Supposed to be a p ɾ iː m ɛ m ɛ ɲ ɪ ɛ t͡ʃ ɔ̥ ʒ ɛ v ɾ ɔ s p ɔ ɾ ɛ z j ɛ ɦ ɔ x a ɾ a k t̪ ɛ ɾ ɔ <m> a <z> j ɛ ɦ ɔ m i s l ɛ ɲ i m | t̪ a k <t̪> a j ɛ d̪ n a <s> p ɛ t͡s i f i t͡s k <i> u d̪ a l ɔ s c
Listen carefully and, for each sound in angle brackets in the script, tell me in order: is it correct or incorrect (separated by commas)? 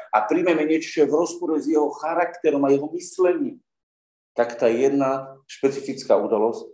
correct, incorrect, correct, incorrect, incorrect